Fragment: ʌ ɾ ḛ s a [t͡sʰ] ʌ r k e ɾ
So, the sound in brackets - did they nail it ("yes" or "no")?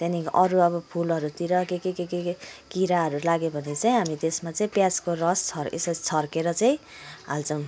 yes